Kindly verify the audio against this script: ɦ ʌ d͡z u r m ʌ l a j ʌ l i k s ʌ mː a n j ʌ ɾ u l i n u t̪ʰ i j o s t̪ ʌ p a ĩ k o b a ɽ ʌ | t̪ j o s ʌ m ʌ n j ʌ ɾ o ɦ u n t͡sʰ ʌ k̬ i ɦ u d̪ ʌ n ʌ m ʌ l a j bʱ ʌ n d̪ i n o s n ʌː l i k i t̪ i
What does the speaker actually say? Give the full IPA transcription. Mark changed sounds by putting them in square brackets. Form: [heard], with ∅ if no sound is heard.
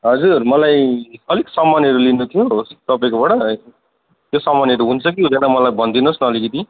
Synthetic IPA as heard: ɦ ʌ d͡z u r m ʌ l a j ʌ l i k s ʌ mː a n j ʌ ɾ u l i n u t̪ʰ i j o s t̪ ʌ p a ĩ k o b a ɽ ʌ | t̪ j o s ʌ m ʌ n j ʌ ɾ [u] ɦ u n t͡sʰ ʌ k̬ i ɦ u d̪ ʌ n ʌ m ʌ l a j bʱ ʌ n d̪ i n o s n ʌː l i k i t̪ i